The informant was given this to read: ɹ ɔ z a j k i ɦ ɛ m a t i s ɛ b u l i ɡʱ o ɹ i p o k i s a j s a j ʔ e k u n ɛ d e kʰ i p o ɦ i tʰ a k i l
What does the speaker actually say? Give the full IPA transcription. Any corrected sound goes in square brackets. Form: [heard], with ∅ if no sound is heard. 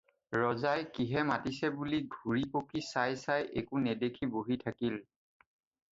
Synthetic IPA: ɹ ɔ z a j k i ɦ ɛ m a t i s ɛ b u l i ɡʱ [u] ɹ i p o k i s a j s a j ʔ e k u n ɛ d e kʰ i [b] o ɦ i tʰ a k i l